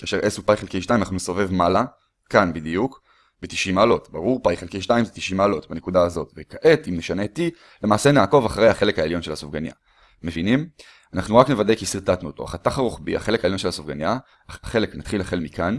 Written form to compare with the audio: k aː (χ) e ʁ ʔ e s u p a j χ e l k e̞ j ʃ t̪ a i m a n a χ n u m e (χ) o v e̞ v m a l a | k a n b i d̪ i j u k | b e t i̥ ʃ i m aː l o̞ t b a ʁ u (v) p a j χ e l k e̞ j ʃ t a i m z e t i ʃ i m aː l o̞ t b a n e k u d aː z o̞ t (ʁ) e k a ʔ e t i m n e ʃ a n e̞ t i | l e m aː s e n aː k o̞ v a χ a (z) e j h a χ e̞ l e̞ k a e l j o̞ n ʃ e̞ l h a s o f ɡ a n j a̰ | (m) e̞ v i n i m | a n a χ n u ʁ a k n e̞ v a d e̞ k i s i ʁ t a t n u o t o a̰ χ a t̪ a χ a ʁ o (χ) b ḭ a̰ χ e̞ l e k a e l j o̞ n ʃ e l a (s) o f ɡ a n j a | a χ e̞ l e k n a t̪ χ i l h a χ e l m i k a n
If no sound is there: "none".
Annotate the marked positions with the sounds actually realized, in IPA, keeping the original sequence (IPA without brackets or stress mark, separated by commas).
ʃ, s, ʁ, v, ʁ, m, χ, s